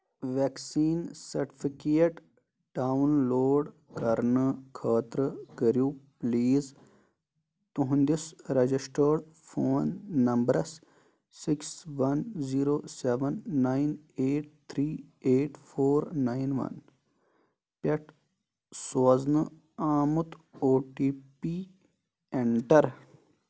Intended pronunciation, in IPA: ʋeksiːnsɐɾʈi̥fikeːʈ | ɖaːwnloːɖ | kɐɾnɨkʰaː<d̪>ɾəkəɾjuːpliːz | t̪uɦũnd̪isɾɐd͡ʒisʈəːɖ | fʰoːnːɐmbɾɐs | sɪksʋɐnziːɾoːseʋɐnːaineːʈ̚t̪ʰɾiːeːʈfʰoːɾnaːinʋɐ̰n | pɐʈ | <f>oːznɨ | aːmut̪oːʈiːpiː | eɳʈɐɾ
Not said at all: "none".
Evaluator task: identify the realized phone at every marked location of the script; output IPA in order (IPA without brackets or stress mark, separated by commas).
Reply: t̪, s